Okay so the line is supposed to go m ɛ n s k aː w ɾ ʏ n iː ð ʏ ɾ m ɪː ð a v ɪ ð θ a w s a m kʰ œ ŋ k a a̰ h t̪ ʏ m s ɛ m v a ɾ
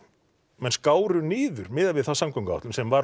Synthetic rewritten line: m ɛ n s k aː w ɾ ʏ n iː ð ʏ ɾ m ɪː ð a v ɪ ð θ a w s a m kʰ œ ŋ k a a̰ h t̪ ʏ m s ɛ m v a ɾ